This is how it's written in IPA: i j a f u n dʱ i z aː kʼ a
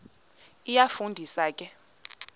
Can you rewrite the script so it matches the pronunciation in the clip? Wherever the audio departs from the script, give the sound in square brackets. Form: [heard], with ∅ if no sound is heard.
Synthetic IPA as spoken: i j a f u n dʱ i [s] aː kʼ [ɛ]